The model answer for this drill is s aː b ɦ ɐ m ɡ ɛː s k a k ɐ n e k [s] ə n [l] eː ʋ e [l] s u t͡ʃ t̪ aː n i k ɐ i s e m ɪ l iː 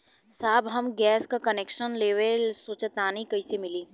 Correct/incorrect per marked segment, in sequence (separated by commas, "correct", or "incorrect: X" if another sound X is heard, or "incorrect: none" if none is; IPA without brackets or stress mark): incorrect: ʃ, correct, correct